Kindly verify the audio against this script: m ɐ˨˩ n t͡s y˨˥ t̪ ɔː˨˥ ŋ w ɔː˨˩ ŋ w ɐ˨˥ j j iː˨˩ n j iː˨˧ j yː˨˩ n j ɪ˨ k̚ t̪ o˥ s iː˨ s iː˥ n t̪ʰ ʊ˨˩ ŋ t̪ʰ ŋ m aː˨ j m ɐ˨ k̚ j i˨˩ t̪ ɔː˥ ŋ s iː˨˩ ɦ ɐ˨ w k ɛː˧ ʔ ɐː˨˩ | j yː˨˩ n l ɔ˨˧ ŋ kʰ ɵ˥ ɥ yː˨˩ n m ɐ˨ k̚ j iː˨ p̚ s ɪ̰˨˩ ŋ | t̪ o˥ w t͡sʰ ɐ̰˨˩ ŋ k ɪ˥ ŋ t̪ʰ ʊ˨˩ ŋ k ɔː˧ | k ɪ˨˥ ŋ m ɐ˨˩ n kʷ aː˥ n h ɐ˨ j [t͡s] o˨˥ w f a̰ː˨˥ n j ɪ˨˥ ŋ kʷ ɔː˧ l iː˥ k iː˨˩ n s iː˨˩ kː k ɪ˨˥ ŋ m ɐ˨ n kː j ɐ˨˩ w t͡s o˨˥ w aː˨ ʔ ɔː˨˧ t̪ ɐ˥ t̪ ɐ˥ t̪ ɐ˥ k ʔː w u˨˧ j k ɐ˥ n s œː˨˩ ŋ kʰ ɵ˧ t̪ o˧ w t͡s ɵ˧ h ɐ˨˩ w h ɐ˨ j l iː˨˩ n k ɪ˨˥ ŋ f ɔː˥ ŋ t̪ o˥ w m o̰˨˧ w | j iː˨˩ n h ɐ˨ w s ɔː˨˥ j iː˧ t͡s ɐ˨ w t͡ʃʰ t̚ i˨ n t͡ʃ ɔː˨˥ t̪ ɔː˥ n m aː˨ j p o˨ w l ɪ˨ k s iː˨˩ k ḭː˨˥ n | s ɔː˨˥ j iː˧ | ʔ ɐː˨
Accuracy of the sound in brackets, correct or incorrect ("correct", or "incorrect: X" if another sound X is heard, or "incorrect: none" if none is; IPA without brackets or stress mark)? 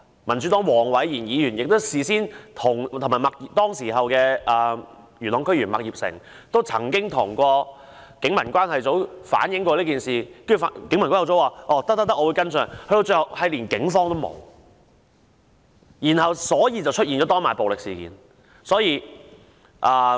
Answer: correct